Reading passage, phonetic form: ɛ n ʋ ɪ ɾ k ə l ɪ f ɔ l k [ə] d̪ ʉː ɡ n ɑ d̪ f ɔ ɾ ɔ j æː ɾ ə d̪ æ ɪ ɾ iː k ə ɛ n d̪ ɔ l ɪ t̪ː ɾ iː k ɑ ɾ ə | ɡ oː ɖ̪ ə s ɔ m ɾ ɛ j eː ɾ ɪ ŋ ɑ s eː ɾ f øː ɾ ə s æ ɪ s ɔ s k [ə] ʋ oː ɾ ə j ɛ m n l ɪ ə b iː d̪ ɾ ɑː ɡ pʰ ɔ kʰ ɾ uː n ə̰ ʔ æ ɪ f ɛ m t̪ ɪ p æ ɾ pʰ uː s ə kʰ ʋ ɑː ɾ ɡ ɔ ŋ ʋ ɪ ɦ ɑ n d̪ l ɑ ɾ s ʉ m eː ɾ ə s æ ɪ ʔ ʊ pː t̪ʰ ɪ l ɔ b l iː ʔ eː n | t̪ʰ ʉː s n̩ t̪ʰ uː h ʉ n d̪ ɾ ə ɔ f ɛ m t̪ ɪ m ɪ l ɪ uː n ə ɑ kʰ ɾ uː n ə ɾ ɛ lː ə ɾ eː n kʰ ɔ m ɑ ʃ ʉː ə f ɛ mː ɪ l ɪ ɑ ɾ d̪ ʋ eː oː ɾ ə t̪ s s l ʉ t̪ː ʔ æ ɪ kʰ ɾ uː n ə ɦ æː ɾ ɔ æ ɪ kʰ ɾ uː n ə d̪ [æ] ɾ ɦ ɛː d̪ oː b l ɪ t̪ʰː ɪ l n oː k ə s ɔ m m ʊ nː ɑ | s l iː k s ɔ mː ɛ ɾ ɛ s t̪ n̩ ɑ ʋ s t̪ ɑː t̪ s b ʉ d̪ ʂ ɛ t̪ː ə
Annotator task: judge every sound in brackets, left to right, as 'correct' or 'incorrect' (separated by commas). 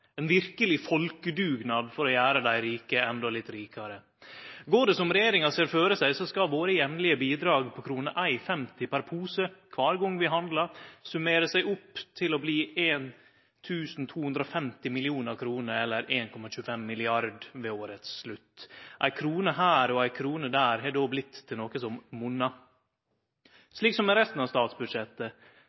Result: correct, incorrect, incorrect